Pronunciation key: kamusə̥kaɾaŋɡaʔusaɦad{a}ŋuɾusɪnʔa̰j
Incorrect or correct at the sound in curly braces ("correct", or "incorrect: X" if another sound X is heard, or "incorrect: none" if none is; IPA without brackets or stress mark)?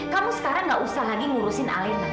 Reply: incorrect: i